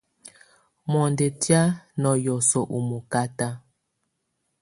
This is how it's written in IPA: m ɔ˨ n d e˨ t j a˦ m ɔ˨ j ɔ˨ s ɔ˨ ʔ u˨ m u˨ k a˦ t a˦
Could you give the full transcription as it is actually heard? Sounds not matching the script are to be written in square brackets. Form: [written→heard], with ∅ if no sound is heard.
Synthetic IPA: m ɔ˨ n d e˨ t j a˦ [m→n] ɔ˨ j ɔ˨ s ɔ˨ ʔ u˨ m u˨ k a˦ t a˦